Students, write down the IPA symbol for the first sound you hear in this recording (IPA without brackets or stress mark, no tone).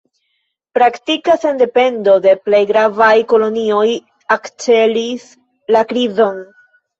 p